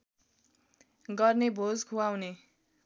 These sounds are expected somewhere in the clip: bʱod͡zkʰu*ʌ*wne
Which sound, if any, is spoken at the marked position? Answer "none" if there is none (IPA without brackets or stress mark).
a